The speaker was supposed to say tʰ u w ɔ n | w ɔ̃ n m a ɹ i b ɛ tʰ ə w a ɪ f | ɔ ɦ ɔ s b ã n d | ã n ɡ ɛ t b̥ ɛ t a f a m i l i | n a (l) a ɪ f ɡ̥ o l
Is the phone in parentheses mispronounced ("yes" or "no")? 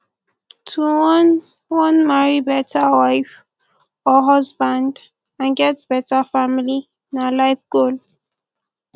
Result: no